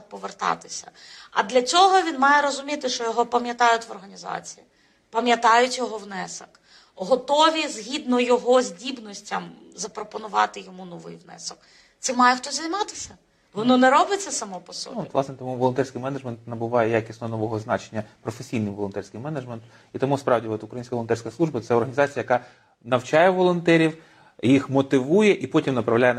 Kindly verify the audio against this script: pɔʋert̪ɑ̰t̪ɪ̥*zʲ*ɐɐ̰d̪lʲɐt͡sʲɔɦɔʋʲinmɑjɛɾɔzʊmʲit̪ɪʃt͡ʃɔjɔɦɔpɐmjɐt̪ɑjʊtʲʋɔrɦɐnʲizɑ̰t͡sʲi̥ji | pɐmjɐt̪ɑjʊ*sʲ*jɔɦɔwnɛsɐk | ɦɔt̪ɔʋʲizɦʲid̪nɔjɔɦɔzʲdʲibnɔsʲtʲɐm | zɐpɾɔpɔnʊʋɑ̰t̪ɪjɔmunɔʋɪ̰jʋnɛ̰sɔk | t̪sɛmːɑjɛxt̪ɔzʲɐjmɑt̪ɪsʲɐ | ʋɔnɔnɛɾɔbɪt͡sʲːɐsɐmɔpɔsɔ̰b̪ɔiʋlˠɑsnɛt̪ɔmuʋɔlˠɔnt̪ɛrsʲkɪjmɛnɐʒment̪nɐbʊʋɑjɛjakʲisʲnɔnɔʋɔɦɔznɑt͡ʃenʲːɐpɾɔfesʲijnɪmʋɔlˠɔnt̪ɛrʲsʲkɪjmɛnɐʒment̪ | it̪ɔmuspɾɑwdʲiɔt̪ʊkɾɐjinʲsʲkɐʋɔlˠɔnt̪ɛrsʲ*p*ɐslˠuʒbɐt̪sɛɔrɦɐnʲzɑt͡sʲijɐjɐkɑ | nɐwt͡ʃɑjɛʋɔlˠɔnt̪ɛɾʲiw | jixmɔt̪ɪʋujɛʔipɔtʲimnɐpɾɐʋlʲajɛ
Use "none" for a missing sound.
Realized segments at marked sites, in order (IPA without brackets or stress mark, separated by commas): sʲ, tʲ, k